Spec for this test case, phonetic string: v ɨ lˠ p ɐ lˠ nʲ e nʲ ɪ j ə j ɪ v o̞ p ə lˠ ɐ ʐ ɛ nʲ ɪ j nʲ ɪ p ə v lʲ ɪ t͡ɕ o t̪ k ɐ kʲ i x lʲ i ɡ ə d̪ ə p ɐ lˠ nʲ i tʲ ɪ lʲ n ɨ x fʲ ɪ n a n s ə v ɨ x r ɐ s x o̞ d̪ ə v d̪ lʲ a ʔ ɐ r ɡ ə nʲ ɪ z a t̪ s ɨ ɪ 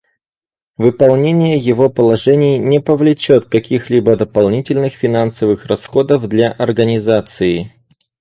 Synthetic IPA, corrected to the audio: v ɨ p ɐ lˠ nʲ e nʲ ɪ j ə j ɪ v o̞ p ə lˠ ɐ ʐ ɛ nʲ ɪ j nʲ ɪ p ə v lʲ ɪ t͡ɕ o t̪ k ɐ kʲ i x lʲ i b ə d̪ ə p ɐ lˠ nʲ i tʲ ɪ lʲ n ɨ x fʲ ɪ n a n s ə v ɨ x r ɐ s x o̞ d̪ ə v d̪ lʲ a ʔ ɐ r ɡ ə nʲ ɪ z a t̪ s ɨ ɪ